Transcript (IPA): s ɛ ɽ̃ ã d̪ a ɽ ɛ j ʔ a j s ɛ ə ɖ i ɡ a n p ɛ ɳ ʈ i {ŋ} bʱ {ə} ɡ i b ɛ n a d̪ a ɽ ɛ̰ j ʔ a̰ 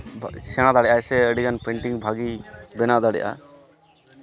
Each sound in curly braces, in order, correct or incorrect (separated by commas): correct, incorrect